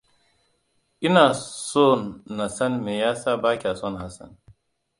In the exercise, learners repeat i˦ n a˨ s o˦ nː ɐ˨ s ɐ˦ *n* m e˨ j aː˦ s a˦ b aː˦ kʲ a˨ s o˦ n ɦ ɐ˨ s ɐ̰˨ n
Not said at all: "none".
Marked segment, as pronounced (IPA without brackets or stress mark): n